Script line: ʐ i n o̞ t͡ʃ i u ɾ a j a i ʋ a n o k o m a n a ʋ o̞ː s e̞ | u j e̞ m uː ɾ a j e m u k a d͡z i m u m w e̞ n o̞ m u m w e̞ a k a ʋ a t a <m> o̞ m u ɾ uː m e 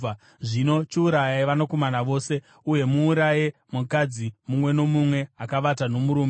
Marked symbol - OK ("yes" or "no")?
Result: no